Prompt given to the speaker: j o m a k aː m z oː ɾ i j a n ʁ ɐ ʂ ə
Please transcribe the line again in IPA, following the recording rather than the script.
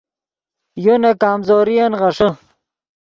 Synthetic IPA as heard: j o n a k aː m z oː ɾ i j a n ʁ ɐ ʂ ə